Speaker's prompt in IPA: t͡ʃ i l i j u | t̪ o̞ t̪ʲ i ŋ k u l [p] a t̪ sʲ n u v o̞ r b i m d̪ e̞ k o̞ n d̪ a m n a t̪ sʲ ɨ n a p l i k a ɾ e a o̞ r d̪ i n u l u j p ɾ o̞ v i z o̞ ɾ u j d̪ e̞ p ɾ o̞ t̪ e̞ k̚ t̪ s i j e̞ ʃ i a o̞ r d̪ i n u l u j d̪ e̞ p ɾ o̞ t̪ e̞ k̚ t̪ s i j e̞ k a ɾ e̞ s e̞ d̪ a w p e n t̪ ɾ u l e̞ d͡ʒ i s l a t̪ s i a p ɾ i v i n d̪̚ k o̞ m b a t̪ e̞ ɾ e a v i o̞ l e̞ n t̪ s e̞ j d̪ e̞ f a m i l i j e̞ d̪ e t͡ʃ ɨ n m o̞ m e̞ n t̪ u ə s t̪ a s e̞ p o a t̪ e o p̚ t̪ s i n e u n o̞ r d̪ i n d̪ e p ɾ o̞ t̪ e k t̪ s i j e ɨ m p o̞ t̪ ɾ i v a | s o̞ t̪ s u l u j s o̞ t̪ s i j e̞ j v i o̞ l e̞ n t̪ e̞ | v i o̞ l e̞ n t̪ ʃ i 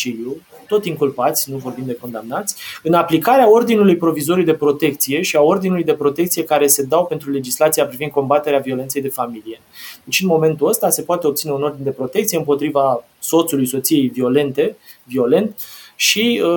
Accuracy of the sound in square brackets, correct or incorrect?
correct